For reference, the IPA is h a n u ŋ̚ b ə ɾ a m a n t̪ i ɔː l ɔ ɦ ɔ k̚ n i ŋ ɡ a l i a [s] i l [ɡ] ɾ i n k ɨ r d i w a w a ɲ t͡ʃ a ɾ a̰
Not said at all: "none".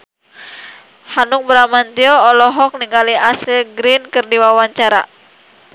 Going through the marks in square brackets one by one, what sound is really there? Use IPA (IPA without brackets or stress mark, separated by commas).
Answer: s, ɡ